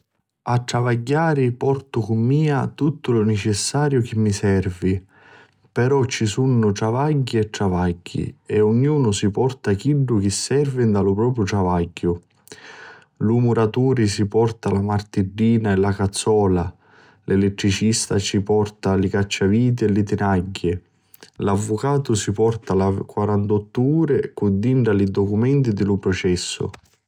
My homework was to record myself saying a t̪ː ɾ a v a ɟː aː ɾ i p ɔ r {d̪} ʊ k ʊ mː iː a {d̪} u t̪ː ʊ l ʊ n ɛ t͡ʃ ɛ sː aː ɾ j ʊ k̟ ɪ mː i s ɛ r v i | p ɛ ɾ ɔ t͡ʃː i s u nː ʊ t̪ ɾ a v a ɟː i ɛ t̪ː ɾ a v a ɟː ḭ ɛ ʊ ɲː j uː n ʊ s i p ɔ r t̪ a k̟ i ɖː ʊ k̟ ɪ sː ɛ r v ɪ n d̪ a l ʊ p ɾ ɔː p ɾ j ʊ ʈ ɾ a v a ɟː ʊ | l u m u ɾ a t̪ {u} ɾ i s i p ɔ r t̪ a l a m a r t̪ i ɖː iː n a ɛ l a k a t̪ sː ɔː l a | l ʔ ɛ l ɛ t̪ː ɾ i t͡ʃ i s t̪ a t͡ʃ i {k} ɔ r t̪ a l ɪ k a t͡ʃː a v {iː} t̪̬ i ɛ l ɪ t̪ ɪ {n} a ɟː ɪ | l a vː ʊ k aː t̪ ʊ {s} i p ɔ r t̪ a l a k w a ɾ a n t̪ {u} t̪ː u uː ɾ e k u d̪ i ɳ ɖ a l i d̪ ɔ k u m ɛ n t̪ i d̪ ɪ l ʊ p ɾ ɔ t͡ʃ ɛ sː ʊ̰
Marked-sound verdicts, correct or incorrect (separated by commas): incorrect, incorrect, incorrect, incorrect, correct, correct, correct, incorrect